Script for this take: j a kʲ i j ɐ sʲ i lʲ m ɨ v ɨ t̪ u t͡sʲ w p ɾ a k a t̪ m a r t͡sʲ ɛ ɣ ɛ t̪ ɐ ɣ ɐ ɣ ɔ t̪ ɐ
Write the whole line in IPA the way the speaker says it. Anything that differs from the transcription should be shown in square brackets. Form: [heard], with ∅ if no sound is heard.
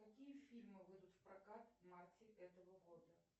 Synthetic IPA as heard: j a kʲ i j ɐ [fʲ] i lʲ m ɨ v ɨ [d̪] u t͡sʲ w p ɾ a k a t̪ m a r t͡sʲ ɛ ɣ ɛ t̪ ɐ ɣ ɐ ɣ ɔ [d̪] ɐ